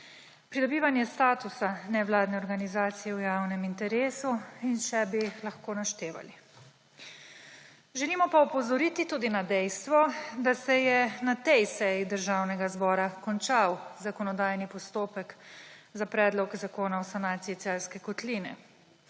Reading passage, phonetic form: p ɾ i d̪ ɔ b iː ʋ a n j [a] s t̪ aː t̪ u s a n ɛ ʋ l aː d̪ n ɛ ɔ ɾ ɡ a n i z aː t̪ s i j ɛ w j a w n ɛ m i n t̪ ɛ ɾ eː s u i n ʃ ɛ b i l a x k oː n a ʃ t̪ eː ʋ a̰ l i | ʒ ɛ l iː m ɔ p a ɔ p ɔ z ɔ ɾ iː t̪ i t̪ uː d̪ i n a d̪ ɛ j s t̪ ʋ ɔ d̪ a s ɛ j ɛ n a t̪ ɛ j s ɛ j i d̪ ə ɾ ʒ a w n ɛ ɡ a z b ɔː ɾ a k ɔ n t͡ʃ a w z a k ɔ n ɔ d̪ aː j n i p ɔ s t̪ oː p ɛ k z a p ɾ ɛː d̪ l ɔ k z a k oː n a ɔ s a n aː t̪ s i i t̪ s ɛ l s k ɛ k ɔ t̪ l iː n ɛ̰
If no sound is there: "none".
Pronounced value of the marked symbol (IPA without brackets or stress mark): ɛ